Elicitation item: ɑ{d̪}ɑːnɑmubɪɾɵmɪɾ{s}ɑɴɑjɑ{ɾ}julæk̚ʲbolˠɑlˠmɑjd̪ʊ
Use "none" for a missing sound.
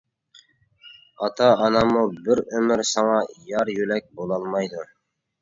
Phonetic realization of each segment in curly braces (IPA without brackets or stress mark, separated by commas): t̪, s, ɾ